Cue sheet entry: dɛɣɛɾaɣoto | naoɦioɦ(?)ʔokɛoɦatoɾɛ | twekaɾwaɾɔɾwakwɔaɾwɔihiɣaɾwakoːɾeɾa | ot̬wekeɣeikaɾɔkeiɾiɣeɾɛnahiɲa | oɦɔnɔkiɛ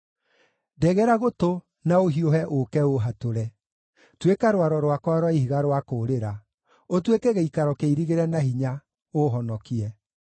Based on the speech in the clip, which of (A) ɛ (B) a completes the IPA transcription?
A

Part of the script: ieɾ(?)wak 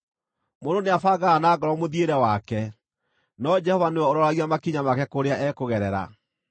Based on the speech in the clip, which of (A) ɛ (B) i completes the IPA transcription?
A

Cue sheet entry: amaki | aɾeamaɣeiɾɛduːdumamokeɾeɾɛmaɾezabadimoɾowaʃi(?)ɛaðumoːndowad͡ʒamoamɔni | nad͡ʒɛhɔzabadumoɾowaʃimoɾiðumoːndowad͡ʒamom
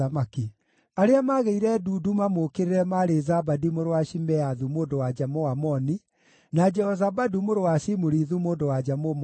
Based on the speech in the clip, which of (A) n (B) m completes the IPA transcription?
B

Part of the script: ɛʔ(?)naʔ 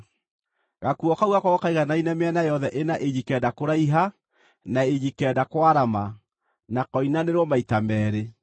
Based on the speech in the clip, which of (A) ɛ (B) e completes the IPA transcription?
B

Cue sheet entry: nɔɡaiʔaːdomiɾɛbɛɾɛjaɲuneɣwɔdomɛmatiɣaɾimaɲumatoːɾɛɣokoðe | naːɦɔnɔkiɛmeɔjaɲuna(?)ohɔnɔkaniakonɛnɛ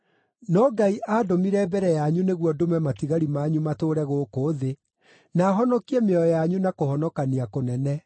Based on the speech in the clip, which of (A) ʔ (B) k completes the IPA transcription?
B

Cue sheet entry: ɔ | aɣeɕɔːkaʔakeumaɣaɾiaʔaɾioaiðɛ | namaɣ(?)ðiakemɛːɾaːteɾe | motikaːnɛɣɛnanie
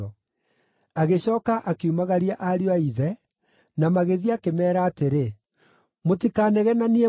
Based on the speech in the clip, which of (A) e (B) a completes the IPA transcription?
A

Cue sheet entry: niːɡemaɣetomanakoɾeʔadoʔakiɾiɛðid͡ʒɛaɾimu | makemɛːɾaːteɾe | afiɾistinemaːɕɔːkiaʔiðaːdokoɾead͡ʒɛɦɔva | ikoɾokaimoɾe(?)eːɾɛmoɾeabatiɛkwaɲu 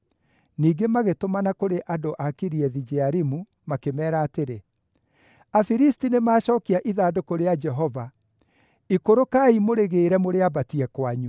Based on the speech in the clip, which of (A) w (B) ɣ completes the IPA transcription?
B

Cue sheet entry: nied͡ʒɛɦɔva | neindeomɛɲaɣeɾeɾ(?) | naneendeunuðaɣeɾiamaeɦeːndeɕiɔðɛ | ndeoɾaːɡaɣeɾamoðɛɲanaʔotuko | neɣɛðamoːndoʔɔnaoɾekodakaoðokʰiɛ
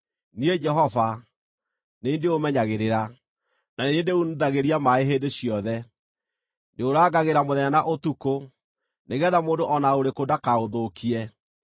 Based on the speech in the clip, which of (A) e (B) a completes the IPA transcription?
B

